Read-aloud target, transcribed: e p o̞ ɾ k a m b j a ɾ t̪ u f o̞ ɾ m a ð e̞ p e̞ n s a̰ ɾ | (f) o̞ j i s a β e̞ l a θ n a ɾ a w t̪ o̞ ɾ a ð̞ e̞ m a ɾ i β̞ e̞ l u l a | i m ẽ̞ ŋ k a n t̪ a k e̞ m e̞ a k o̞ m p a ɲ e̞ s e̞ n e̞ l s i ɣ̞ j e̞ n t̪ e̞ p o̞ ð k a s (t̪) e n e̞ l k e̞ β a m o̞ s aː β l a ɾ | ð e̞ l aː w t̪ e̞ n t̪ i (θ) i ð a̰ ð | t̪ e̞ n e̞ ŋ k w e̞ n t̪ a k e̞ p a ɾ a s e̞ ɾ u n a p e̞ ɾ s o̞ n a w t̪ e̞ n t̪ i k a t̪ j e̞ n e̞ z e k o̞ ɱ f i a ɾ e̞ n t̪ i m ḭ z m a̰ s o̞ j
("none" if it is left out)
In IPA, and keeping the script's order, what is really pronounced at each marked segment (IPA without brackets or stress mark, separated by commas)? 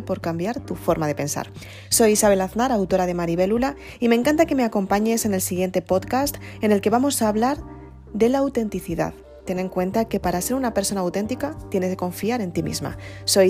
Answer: s, t̪, θ